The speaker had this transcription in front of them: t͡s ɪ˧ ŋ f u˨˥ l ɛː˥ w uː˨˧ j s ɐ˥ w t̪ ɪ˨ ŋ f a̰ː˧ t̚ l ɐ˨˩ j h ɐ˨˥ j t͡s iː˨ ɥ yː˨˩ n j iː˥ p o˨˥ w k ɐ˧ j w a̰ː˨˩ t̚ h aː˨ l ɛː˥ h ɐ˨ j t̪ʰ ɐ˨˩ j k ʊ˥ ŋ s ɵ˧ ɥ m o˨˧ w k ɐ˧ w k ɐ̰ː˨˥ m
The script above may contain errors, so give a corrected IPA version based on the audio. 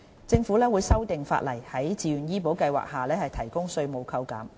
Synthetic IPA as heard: t͡s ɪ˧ ŋ f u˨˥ l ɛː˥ w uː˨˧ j s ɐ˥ w t̪ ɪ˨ ŋ f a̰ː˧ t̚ l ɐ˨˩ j h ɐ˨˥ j t͡s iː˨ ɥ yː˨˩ n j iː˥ p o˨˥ w k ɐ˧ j w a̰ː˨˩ k̚ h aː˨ l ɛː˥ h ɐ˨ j t̪ʰ ɐ˨˩ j k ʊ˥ ŋ s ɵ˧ ɥ m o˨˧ w kʰ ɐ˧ w k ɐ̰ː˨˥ m